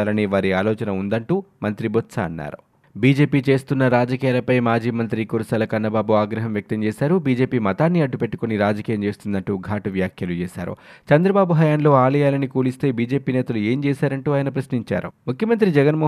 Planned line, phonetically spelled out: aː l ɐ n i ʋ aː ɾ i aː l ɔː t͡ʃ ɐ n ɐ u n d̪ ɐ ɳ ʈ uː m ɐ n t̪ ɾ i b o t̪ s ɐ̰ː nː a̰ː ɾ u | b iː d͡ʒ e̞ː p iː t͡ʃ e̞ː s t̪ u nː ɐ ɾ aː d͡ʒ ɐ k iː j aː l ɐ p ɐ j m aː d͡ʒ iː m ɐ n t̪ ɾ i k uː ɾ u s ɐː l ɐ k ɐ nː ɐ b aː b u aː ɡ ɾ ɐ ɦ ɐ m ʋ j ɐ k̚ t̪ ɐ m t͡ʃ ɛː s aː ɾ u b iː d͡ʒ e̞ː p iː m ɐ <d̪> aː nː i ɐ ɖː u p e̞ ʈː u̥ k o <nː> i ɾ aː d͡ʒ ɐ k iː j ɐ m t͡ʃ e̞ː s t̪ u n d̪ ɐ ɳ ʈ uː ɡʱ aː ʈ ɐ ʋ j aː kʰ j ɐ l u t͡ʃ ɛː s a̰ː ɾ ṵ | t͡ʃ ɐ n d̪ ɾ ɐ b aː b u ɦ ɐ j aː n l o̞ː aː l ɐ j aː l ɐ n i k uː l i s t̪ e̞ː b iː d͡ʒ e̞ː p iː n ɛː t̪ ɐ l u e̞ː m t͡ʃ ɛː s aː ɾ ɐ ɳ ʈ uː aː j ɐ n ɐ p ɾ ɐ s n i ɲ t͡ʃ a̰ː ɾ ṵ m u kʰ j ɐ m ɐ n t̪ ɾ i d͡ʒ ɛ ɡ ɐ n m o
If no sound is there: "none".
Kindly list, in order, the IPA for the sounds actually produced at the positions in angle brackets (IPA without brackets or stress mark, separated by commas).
t̪, n